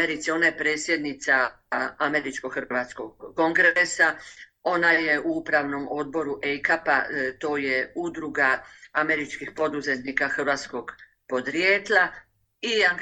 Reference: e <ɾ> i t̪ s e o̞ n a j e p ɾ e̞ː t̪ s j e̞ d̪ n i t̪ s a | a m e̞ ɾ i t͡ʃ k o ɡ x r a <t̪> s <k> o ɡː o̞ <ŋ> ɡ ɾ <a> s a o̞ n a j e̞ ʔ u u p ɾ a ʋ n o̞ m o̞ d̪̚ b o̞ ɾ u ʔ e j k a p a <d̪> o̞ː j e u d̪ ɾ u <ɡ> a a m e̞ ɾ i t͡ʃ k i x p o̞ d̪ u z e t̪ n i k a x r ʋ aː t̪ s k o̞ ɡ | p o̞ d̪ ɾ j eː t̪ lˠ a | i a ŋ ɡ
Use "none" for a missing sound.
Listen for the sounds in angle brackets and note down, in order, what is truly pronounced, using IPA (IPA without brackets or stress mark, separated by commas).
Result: ɾ, t̪, k, ŋ, e, t̪, ɡ